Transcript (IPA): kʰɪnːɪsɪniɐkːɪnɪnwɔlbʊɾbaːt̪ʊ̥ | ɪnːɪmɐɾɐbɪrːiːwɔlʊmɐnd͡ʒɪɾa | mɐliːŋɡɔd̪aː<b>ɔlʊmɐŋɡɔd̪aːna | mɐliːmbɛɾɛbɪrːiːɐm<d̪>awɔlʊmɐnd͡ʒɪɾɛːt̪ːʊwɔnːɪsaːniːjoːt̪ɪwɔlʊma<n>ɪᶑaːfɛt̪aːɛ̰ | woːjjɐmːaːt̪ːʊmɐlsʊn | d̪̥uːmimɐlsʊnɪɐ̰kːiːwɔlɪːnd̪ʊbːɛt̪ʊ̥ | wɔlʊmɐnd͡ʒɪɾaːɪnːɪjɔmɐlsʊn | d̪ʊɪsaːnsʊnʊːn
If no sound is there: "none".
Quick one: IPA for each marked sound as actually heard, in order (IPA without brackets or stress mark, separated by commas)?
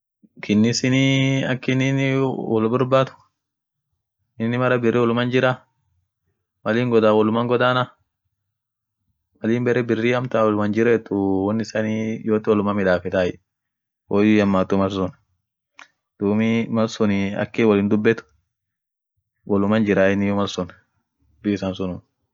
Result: w, t̪, m